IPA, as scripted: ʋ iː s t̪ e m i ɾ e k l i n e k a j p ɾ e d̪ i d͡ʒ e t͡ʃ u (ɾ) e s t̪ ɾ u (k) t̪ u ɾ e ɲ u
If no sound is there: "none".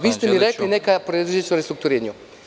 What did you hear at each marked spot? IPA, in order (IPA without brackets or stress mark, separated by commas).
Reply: ɾ, k